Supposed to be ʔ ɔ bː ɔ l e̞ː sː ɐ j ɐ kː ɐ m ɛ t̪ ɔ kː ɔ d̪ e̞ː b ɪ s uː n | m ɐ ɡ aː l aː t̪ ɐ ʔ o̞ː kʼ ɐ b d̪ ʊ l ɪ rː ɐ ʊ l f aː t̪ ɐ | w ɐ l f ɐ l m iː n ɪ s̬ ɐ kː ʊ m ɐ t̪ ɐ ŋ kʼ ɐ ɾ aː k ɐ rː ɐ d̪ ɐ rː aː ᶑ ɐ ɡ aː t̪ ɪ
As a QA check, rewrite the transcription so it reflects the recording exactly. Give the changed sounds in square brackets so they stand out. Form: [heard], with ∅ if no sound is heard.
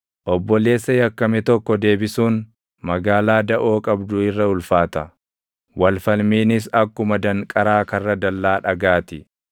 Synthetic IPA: ʔ ɔ bː ɔ l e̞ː sː ɐ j ɐ kː ɐ m ɛ t̪ ɔ kː ɔ d̪ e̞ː b ɪ s uː n | m ɐ ɡ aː l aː [d̪] ɐ ʔ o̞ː kʼ ɐ b d̪ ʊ [∅] ɪ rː ɐ ʊ l f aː t̪ ɐ | w ɐ l f ɐ l m iː n ɪ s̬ ɐ kː ʊ m ɐ [d̪] ɐ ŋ kʼ ɐ ɾ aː k ɐ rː ɐ d̪ ɐ [lː] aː ᶑ ɐ ɡ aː t̪ ɪ